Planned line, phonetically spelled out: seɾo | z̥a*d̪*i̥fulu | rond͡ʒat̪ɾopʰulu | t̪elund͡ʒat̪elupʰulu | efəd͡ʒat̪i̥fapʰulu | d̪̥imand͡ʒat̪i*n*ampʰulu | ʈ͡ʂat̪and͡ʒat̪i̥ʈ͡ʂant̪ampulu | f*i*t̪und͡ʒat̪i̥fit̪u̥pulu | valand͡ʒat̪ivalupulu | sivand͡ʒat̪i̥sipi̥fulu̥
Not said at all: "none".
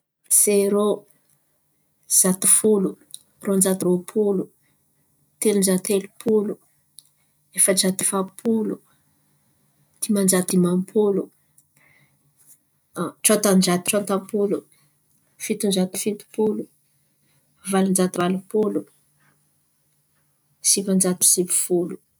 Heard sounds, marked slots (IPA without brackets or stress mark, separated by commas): t̪, m, i